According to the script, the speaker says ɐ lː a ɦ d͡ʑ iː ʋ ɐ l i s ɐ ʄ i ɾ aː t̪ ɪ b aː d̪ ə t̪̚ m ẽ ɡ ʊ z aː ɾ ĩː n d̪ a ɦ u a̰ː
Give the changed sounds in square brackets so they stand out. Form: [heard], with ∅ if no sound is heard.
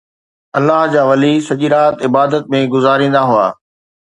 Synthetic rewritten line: ɐ lː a ɦ d͡ʑ [aː] ʋ ɐ l i s ɐ ʄ i ɾ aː t̪ ɪ b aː d̪ ə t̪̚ m ẽ ɡ ʊ z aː ɾ ĩː n d̪ a ɦ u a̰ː